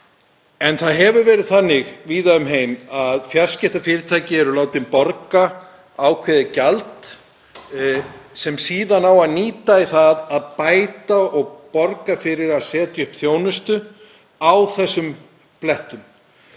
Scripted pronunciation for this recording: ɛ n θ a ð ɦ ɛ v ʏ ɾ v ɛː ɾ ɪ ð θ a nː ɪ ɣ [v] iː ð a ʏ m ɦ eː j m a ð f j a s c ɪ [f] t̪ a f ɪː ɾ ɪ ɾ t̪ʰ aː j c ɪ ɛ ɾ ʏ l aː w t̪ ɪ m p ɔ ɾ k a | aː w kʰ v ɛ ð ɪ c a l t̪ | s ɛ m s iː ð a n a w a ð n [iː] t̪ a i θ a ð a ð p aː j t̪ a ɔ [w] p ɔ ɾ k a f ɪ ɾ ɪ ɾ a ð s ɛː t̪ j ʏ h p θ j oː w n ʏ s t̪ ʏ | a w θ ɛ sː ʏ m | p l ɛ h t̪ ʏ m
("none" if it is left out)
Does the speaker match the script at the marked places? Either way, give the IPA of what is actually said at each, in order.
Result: v, h, iː, ɣ

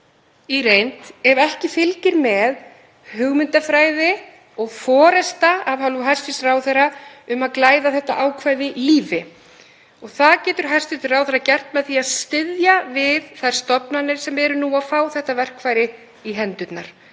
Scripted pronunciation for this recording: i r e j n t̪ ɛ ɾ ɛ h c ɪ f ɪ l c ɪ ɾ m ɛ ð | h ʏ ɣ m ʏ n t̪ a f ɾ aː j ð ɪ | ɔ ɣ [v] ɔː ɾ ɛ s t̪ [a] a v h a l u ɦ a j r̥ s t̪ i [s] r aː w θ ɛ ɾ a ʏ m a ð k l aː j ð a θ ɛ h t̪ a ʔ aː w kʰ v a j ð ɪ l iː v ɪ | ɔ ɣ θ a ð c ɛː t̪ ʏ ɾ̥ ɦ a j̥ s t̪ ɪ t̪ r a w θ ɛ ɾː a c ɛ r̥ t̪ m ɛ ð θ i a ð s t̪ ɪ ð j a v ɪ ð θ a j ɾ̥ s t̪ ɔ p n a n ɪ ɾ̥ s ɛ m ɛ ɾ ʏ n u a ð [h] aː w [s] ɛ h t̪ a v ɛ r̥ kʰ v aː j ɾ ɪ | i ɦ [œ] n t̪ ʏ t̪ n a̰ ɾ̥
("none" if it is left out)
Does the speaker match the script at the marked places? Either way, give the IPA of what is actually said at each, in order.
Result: f, a, s, f, θ, ɛ

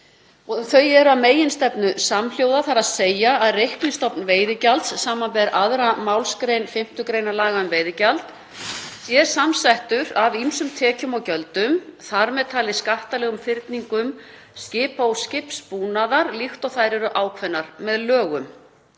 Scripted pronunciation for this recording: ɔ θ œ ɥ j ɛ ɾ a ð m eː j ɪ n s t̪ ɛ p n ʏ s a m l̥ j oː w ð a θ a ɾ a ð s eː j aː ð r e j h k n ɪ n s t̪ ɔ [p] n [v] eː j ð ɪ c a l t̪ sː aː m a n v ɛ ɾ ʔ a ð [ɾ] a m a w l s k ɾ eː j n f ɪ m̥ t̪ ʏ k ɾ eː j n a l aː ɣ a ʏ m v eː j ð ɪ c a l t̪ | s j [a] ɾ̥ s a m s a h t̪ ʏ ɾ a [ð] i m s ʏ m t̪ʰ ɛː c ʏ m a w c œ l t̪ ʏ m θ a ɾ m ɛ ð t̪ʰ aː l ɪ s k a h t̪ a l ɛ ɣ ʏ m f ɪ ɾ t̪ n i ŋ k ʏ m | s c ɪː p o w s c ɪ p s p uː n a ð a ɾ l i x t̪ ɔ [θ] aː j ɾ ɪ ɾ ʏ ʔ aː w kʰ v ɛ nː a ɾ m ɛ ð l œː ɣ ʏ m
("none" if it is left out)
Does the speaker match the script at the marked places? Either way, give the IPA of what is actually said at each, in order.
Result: p, v, ɾ, ɛ, v, θ

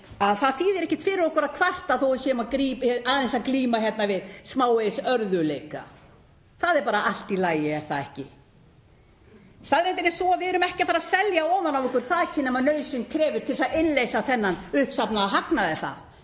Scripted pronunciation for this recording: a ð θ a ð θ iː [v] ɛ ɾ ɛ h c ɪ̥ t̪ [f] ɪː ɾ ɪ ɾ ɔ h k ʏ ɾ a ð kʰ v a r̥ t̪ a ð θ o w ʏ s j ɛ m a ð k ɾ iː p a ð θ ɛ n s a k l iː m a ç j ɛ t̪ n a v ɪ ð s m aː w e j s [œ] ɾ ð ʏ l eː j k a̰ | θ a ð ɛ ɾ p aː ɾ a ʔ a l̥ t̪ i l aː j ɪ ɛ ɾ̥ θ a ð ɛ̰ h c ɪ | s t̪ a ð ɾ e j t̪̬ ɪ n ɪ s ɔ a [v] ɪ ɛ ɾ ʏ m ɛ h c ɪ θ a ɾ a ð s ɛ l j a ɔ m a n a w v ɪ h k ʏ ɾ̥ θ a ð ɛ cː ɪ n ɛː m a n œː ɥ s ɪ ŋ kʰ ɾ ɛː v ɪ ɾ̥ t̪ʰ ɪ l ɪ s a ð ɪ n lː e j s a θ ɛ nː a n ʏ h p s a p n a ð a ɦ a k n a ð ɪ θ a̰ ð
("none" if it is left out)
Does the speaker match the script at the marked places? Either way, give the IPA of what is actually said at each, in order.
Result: ð, f, œ, v

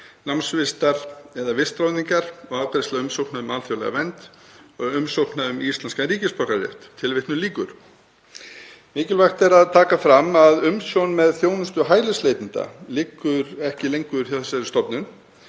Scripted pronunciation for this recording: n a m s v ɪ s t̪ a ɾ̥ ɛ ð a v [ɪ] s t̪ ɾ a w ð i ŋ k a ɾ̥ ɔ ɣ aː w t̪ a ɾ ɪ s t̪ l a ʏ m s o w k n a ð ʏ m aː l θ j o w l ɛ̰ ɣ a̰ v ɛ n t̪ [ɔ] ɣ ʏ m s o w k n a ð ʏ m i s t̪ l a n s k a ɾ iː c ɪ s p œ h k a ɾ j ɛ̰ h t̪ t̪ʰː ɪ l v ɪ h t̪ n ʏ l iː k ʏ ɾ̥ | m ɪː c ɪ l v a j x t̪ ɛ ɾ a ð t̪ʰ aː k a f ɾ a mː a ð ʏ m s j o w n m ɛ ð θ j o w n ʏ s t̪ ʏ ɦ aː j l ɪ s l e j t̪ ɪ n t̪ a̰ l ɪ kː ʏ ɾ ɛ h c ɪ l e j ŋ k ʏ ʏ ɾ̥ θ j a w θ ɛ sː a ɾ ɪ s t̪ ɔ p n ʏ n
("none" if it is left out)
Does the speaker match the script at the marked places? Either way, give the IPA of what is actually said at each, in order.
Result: ɪ, ɔ

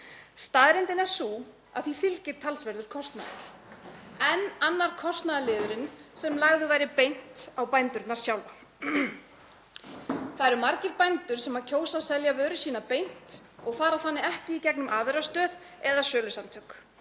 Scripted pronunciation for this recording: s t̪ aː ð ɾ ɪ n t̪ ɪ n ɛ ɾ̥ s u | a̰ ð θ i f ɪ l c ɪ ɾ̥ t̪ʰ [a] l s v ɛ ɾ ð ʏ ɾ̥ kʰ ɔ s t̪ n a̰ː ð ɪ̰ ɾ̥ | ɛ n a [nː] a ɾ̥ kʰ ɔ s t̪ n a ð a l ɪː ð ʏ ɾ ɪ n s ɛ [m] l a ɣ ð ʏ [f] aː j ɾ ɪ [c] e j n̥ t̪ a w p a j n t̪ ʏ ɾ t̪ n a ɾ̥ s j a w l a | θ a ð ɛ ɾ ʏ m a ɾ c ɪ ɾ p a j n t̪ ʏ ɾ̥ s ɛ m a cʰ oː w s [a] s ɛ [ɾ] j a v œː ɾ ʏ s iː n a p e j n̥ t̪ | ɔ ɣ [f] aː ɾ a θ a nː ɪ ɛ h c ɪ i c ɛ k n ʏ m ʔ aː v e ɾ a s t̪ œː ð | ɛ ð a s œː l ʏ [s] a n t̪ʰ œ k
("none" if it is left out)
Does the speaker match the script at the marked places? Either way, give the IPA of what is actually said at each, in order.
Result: a, nː, m, v, p, a, l, f, s

